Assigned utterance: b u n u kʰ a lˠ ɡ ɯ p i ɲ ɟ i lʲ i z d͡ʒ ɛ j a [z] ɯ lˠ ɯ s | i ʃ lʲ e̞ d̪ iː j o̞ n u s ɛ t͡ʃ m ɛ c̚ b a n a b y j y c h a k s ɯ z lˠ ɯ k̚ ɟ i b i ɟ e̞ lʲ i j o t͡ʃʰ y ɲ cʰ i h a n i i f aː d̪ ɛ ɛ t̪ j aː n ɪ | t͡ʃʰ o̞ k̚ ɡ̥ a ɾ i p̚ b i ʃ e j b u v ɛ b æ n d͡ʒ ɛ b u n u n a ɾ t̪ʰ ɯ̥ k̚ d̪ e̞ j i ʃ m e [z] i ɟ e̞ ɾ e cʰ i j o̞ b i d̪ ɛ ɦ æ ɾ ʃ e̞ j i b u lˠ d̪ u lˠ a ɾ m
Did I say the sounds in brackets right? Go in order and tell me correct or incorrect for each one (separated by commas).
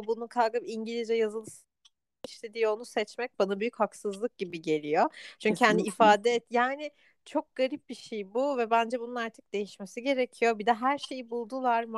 correct, incorrect